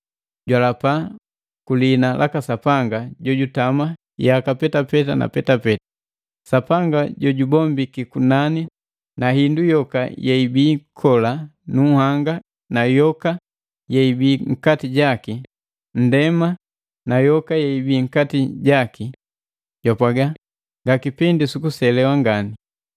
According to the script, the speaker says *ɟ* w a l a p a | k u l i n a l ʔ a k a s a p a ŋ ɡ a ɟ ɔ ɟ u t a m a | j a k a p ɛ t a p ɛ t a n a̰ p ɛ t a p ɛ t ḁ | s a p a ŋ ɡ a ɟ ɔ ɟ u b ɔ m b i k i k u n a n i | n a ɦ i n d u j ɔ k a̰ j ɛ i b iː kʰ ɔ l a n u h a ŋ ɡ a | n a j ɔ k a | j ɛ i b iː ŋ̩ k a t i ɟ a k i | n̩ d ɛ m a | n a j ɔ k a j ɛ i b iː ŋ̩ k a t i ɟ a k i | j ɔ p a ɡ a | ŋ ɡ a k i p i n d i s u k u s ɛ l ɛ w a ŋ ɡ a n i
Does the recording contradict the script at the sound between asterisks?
no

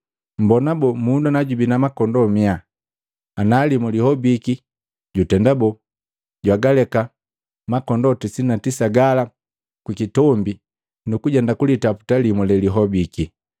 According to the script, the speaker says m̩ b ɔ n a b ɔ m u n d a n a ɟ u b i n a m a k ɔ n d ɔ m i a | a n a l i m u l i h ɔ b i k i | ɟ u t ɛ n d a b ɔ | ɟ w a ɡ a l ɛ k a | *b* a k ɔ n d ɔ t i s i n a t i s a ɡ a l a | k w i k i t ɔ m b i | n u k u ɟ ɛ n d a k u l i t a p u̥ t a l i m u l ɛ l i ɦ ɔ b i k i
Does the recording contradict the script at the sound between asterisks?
yes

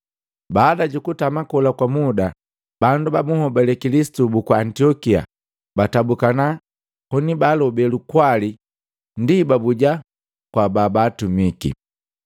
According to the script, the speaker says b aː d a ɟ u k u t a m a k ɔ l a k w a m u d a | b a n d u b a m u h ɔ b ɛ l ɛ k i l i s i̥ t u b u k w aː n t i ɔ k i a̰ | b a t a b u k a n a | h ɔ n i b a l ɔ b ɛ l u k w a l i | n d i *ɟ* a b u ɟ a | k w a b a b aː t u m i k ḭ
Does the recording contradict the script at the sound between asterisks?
yes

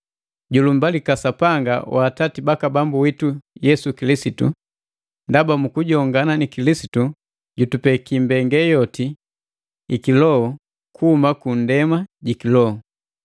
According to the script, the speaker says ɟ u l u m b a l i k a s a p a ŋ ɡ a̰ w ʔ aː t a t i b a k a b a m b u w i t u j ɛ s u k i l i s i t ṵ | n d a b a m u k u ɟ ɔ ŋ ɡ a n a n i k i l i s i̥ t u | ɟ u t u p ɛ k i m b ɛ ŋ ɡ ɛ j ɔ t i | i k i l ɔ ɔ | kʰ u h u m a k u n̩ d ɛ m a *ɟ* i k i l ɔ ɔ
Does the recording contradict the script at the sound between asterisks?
no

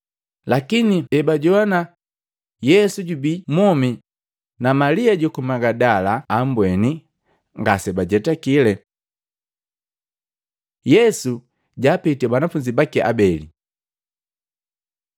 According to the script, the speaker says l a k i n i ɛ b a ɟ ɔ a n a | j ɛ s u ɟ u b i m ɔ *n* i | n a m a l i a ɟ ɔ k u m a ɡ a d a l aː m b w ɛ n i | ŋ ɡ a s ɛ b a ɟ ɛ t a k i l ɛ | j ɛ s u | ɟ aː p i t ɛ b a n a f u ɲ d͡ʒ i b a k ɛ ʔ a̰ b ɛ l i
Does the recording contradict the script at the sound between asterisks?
yes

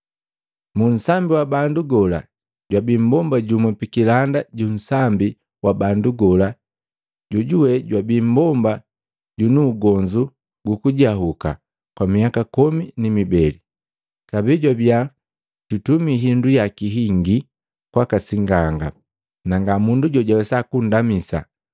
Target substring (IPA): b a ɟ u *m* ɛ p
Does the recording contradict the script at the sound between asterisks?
no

